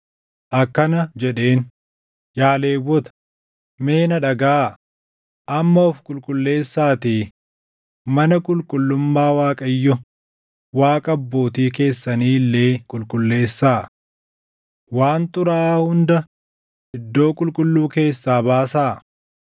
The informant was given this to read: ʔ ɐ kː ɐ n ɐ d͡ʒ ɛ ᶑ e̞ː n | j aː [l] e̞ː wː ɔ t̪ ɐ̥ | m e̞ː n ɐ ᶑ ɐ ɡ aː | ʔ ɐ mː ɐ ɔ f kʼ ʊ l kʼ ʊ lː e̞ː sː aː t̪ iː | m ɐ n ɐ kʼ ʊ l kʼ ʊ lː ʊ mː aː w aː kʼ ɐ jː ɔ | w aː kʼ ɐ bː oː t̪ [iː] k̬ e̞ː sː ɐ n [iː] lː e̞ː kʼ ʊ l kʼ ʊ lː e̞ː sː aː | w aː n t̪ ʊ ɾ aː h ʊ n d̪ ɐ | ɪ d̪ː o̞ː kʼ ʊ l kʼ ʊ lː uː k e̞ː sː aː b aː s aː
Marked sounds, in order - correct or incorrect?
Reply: correct, correct, correct

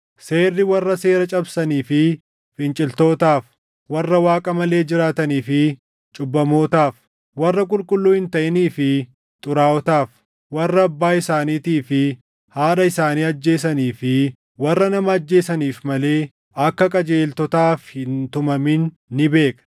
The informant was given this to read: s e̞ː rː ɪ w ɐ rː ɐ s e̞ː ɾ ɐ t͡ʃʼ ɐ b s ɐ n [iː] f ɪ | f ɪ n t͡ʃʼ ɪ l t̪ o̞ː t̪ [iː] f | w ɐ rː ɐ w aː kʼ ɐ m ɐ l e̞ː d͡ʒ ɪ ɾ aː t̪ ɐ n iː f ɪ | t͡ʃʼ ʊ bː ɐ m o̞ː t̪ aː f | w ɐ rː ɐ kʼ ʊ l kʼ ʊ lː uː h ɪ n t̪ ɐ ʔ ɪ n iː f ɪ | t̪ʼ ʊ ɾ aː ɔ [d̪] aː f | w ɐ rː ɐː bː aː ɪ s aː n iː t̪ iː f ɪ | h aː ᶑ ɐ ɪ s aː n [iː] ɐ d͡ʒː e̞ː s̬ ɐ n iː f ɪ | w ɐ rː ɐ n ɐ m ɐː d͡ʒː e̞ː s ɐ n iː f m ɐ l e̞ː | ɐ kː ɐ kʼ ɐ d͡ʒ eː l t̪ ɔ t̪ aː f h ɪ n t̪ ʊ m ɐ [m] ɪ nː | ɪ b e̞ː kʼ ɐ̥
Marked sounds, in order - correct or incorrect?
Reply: correct, incorrect: aː, incorrect: t̪, correct, correct

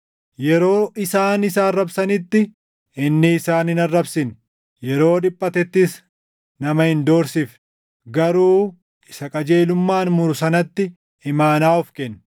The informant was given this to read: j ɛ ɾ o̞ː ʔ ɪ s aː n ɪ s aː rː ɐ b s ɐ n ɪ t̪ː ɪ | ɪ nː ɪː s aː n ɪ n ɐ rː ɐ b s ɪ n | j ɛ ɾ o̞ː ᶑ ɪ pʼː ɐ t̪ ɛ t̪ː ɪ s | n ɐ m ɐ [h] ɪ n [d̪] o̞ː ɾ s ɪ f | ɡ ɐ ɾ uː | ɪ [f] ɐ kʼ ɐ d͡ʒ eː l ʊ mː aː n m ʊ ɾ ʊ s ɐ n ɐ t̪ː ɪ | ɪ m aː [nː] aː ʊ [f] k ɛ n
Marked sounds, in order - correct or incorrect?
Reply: correct, correct, incorrect: s, incorrect: n, correct

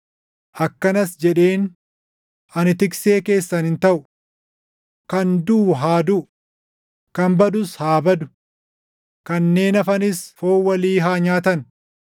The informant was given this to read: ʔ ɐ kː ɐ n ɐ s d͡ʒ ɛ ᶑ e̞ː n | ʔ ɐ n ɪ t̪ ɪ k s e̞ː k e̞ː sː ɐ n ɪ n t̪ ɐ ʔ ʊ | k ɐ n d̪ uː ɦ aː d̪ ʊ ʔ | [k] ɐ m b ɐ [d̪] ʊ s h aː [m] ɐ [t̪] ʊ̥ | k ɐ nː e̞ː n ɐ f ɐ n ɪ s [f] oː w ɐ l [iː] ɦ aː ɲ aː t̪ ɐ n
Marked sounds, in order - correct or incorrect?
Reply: correct, correct, incorrect: b, incorrect: d̪, correct, correct

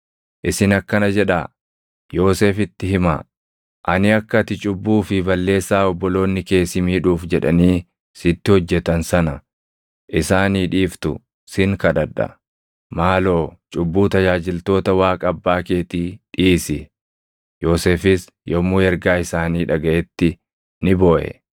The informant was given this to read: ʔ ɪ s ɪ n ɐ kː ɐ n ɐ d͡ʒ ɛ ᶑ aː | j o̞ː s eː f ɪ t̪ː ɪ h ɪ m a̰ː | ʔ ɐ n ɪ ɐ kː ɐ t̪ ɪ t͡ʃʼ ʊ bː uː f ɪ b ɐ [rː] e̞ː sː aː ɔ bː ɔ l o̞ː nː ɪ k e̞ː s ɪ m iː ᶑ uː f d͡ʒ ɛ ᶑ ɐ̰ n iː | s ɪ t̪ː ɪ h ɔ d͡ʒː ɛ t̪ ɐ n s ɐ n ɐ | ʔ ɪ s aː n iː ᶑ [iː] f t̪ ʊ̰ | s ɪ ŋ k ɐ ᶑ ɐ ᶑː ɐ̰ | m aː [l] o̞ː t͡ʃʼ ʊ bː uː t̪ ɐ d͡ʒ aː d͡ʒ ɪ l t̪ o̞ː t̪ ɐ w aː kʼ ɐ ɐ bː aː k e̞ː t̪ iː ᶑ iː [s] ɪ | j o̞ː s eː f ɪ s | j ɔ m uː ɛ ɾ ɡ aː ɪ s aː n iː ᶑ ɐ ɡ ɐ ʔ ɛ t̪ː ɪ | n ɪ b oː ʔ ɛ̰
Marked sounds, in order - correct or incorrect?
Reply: incorrect: lː, correct, correct, correct

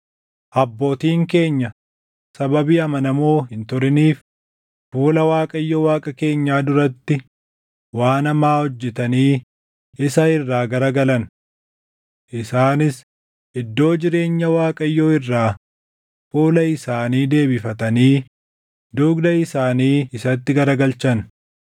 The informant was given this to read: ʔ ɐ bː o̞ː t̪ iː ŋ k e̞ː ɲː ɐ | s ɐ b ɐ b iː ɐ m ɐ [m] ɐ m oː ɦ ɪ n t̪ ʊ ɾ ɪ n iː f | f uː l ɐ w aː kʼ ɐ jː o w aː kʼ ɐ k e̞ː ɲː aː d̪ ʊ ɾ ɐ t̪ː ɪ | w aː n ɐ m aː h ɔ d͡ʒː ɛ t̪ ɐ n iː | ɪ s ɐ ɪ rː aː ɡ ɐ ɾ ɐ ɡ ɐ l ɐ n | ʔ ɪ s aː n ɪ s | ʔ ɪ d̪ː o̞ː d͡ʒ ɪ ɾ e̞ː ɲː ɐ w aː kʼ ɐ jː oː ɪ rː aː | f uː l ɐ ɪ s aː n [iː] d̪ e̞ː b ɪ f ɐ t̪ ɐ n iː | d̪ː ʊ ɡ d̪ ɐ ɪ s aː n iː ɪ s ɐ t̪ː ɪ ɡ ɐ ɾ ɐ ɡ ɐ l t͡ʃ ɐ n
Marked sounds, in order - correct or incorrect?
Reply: incorrect: n, correct

